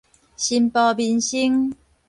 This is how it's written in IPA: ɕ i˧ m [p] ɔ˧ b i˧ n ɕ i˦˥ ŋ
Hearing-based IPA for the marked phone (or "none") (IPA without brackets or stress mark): p